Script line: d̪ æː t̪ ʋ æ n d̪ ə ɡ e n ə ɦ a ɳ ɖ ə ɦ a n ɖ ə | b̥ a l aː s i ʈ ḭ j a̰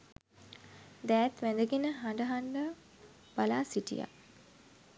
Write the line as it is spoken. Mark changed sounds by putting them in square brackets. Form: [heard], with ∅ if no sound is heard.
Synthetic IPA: d̪ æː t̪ ʋ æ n d̪ ə ɡ e n ə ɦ a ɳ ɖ ə ɦ a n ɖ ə | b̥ a l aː s i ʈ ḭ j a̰